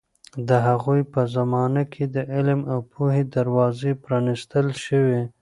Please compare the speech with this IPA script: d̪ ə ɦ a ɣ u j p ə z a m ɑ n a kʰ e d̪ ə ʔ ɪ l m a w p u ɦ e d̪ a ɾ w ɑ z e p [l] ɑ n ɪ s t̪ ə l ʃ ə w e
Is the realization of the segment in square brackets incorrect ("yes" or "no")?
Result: yes